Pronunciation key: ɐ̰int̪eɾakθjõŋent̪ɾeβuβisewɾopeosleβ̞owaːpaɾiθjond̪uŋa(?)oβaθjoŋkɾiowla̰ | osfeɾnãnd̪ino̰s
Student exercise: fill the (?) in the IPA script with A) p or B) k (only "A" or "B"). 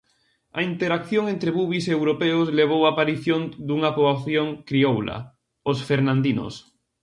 A